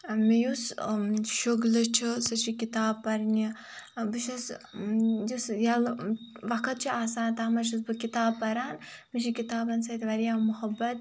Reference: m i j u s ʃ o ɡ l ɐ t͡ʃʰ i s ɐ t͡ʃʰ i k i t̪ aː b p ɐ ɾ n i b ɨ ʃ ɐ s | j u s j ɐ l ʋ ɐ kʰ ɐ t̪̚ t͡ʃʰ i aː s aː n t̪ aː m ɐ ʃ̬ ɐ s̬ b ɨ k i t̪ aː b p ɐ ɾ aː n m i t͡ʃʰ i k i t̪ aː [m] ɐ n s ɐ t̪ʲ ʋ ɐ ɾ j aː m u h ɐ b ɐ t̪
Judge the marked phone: incorrect: b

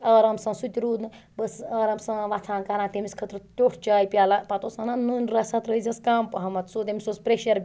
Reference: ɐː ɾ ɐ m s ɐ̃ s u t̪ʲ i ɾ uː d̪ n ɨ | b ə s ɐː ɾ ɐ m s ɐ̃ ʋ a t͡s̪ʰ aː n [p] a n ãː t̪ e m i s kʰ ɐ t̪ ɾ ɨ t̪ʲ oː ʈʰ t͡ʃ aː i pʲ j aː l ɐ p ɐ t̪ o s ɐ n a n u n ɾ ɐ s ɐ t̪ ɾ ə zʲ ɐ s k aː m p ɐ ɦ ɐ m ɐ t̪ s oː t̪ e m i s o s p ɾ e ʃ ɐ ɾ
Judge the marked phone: incorrect: k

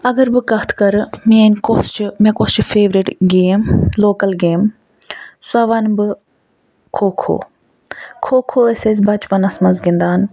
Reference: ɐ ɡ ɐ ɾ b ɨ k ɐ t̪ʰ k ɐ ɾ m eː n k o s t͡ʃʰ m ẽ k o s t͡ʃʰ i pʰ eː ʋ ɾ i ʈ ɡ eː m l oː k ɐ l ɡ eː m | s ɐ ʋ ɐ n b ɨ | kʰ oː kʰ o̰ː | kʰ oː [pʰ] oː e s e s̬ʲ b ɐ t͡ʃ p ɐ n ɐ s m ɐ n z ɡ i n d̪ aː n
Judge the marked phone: incorrect: kʰ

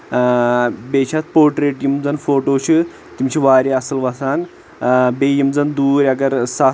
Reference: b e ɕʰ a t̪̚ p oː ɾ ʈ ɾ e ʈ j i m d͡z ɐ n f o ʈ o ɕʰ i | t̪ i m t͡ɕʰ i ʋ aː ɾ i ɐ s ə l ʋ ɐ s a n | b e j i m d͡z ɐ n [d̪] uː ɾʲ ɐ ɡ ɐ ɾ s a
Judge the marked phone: correct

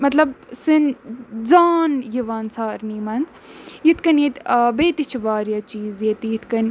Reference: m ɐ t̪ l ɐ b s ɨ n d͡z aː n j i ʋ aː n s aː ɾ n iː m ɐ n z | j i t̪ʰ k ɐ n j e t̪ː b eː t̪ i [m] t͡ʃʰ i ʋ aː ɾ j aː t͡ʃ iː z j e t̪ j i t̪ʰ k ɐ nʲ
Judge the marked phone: incorrect: none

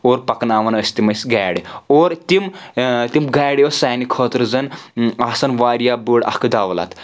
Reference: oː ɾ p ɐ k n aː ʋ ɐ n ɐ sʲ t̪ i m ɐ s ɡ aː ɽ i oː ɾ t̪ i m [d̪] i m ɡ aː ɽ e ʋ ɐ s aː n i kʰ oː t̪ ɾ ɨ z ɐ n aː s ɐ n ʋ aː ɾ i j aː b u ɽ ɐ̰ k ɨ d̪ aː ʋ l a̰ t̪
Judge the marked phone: incorrect: t̪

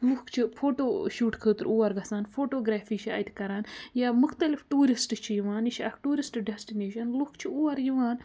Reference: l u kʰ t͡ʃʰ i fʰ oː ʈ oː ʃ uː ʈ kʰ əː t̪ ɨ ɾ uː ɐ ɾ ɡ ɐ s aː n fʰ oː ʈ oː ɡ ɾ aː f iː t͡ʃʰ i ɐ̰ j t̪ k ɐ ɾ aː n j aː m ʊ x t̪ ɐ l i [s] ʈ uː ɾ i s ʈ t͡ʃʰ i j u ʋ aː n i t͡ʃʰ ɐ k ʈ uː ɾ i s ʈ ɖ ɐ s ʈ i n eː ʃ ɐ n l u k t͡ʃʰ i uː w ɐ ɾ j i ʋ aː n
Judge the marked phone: incorrect: f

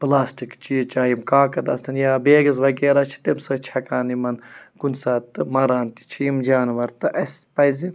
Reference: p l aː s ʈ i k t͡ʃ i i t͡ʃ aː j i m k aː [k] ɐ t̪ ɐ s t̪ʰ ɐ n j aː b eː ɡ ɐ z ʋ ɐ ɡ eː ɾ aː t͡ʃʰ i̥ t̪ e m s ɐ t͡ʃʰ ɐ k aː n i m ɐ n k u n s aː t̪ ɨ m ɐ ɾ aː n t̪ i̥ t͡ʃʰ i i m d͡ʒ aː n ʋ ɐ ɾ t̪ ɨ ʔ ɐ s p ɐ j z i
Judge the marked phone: correct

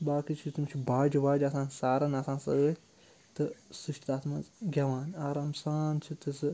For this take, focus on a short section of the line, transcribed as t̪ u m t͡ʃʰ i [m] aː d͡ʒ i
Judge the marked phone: incorrect: b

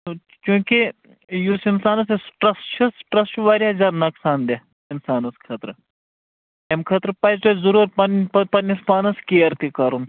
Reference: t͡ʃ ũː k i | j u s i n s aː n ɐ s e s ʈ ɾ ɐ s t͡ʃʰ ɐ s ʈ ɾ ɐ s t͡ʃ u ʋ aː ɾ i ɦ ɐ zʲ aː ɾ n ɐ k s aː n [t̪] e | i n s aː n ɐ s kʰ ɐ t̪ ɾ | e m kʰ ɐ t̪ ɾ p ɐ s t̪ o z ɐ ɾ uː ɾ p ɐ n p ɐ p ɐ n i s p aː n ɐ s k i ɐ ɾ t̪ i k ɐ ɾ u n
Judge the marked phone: incorrect: d̪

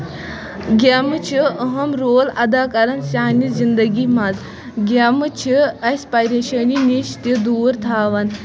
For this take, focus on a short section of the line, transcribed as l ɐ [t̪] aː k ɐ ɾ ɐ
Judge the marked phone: incorrect: d̪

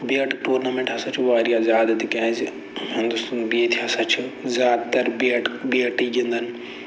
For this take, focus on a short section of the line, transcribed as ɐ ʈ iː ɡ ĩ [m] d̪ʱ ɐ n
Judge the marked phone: incorrect: n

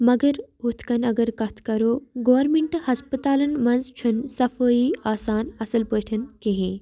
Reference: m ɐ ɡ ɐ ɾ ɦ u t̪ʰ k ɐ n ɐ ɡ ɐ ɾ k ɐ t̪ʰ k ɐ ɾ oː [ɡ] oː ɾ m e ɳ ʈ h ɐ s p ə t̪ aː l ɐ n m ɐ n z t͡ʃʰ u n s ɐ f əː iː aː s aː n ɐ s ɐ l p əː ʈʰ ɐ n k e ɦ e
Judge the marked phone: correct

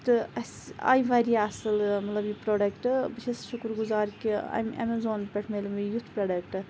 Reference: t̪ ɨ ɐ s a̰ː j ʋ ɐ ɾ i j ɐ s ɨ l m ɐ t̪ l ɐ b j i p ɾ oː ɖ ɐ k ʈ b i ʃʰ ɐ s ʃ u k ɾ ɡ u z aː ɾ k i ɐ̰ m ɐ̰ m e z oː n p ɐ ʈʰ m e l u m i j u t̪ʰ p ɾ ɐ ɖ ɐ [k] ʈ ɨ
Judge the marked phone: correct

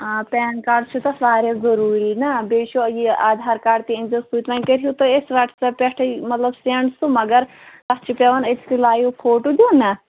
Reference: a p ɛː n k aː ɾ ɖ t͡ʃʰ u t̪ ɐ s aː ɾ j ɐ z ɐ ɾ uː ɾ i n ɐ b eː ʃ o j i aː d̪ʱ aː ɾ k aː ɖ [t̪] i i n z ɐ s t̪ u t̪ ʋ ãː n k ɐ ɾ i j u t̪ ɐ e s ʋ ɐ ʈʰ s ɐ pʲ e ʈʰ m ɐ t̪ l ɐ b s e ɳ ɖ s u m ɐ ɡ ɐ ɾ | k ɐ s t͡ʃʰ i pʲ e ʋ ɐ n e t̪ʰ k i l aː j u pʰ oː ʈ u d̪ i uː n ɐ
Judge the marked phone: correct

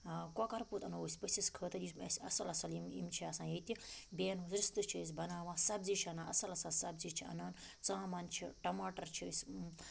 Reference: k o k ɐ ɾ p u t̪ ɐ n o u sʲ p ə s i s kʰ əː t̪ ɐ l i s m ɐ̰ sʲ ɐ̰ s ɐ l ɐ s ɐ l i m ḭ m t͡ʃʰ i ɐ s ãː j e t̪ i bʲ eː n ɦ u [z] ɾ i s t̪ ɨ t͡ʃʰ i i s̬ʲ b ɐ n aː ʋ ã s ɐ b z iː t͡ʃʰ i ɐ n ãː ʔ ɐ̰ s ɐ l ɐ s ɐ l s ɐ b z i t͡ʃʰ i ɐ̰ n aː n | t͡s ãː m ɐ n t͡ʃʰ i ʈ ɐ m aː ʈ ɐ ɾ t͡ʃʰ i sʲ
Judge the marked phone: correct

